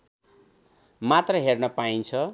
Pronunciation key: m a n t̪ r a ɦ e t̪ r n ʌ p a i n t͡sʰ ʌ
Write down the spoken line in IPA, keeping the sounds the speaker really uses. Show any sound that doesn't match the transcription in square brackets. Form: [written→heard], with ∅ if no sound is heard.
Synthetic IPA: m a [n→∅] t̪ r [a→ʌ] ɦ e [t̪→∅] r n ʌ p a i n t͡sʰ ʌ